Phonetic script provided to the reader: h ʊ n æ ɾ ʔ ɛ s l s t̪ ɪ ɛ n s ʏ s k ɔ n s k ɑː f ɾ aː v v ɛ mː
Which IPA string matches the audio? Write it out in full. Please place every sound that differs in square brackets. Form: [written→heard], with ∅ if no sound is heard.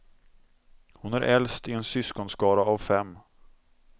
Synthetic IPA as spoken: h ʊ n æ ɾ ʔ ɛ [s→∅] l s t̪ ɪ ɛ n s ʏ s k ɔ n s k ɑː [f→∅] ɾ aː v [v→f] ɛ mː